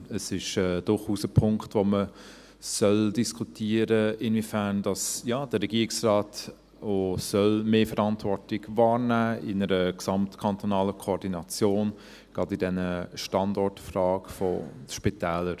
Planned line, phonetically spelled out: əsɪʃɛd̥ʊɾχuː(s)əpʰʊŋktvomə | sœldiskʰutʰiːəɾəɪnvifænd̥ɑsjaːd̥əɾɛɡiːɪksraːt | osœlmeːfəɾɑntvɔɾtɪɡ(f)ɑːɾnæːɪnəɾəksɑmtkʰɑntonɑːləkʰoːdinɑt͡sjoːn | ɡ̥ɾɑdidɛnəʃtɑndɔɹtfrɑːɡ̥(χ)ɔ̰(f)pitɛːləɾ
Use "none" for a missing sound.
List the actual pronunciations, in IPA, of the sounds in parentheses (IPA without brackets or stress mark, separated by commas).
s, v, f, ʃ